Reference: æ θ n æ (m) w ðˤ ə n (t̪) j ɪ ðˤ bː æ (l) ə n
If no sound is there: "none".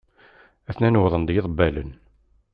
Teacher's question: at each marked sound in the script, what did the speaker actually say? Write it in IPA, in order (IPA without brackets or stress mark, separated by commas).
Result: n, d̪, l